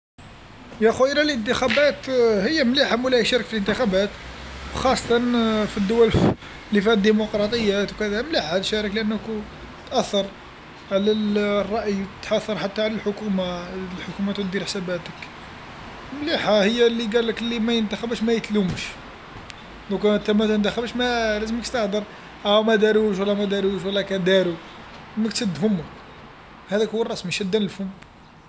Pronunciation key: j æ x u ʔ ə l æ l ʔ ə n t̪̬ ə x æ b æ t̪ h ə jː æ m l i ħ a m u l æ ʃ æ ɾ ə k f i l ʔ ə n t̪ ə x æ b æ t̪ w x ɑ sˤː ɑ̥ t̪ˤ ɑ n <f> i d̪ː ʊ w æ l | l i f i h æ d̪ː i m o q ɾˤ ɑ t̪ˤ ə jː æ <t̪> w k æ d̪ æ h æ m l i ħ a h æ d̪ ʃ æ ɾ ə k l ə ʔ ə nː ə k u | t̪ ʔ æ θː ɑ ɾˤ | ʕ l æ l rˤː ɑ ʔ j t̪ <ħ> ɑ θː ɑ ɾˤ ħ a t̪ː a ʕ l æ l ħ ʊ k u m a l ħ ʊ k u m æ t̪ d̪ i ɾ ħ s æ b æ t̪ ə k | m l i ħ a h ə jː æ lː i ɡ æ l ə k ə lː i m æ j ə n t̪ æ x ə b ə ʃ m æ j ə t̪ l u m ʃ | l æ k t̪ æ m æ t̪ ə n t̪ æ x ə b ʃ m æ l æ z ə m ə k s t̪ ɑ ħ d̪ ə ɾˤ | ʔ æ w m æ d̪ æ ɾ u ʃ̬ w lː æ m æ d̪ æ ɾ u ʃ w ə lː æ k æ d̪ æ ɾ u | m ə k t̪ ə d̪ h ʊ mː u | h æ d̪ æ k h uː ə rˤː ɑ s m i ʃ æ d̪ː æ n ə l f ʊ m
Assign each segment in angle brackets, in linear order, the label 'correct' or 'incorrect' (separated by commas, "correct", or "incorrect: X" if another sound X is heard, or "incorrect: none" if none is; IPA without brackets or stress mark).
correct, correct, correct